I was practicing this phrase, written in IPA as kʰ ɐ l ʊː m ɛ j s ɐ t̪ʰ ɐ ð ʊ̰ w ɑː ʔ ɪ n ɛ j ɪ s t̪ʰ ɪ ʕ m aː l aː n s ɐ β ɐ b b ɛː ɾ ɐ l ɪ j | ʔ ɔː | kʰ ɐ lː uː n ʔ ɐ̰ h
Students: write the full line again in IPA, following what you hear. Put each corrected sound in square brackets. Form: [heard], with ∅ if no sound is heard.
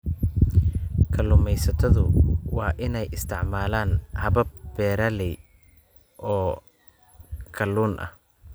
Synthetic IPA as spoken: kʰ ɐ l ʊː m ɛ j s ɐ t̪ʰ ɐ ð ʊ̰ w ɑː ʔ ɪ n ɛ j ɪ s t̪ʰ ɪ ʕ m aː l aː n [h] ɐ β ɐ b b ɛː ɾ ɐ l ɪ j | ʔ ɔː | kʰ ɐ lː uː n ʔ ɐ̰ h